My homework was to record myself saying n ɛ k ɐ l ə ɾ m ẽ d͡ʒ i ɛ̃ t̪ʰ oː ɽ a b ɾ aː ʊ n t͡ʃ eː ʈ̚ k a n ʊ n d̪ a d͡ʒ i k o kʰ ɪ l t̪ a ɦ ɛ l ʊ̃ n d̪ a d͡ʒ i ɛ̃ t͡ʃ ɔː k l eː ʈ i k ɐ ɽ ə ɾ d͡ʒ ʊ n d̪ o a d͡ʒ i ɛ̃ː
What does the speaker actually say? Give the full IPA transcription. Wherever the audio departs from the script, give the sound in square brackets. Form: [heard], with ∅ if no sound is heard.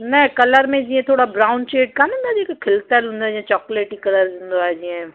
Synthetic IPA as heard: n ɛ k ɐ l ə ɾ m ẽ d͡ʒ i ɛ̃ t̪ʰ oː ɽ a b ɾ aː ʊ n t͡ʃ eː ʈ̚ k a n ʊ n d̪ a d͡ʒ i k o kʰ ɪ l t̪ a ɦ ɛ l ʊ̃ n d̪ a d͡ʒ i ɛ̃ t͡ʃ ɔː k l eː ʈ i k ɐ [l] ə ɾ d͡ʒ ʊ n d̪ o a d͡ʒ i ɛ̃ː